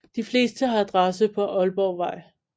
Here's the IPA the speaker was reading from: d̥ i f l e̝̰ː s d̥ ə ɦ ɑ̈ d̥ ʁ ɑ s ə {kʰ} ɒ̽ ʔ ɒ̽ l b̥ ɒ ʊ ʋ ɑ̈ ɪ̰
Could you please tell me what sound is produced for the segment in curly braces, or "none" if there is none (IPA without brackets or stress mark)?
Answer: pʰ